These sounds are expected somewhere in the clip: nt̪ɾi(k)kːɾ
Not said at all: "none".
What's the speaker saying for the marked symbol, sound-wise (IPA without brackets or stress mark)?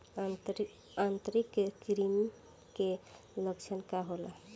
k